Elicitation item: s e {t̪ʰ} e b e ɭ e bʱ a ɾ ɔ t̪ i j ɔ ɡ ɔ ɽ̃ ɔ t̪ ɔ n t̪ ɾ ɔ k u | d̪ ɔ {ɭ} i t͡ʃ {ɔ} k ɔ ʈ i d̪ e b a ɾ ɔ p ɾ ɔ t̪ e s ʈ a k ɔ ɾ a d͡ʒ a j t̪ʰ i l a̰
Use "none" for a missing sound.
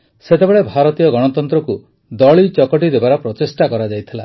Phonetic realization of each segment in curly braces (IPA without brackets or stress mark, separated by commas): t̪, ɭ, ɔ